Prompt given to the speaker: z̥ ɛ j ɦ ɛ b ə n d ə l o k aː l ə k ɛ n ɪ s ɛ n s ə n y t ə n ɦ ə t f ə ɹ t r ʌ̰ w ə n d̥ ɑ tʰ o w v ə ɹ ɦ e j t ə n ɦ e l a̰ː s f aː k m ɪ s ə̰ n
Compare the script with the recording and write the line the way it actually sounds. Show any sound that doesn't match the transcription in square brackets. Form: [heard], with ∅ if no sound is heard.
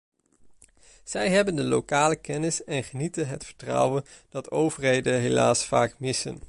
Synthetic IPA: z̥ ɛ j ɦ ɛ b ə n d ə l o k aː l ə k ɛ n ɪ s ɛ n [χ] ə n [i] t ə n ɦ ə t f ə ɹ t r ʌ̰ w ə n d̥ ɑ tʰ o w v ə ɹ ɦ e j [d] ə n ɦ e l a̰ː s f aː k m ɪ s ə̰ n